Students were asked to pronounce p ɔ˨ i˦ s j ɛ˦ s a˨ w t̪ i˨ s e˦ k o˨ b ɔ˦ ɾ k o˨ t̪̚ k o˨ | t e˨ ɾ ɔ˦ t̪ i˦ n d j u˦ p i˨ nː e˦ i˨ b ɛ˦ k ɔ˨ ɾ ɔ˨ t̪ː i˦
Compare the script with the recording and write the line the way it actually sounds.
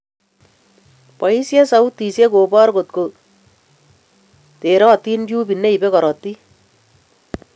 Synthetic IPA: p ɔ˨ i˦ s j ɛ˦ s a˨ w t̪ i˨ s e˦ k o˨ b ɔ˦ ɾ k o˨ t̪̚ k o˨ | t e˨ ɾ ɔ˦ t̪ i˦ n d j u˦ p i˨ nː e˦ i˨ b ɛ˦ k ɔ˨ ɾ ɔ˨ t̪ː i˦

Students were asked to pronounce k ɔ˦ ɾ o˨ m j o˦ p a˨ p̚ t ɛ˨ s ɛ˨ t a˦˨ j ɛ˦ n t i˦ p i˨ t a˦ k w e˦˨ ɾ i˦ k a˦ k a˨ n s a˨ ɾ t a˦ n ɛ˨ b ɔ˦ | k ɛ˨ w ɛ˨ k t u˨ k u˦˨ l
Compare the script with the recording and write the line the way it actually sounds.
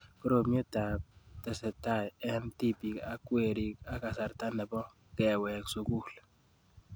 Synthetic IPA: k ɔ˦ ɾ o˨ m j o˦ t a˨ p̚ t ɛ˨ s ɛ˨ t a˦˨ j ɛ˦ n t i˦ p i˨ k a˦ k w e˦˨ ɾ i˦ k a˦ k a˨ s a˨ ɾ t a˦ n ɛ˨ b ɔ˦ | k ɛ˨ w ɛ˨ k s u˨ k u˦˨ l

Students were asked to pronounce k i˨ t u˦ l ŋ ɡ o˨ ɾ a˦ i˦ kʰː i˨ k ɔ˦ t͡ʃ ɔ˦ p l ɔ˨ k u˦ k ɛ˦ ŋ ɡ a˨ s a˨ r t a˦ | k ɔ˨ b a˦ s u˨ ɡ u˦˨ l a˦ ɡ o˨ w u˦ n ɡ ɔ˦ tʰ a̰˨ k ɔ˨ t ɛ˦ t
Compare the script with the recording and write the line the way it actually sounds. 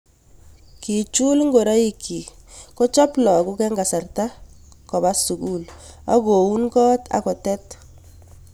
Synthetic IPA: k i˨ t͡ʃ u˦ l ŋ ɡ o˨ ɾ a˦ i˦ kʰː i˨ k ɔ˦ t͡ʃ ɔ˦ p l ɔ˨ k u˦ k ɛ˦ ŋ ɡ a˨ s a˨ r t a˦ | k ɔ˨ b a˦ s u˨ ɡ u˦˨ l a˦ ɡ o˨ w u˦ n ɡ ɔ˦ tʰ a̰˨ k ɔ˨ t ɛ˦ t

